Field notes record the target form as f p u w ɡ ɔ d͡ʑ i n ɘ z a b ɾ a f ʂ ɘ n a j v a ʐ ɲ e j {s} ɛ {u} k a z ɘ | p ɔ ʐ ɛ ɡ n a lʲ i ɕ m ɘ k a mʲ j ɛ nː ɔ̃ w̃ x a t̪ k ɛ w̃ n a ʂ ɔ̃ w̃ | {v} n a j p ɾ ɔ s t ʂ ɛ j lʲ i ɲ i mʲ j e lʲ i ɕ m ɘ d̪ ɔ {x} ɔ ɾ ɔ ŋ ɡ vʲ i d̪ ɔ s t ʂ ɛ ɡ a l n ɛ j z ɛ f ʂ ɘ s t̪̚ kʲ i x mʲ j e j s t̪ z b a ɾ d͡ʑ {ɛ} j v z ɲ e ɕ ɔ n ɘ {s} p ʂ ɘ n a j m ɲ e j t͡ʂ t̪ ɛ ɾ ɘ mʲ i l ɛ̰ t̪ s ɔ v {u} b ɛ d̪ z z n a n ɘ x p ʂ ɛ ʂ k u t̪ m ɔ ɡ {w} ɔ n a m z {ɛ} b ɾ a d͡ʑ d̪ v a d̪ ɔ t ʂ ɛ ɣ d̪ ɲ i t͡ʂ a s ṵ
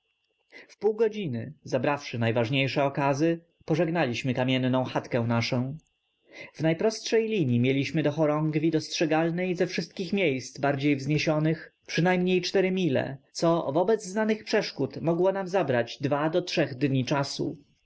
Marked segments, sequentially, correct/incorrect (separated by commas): incorrect, incorrect, correct, correct, incorrect, incorrect, incorrect, correct, incorrect